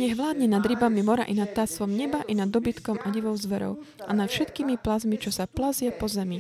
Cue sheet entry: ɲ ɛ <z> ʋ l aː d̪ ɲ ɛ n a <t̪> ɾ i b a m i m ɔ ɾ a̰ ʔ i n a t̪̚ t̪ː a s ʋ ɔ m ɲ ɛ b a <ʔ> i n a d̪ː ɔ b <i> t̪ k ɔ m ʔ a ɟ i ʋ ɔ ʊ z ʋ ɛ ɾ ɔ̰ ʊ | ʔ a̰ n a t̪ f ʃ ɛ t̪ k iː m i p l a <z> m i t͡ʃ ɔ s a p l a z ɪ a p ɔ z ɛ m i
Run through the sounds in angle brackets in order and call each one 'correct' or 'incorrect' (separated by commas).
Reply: incorrect, incorrect, correct, correct, correct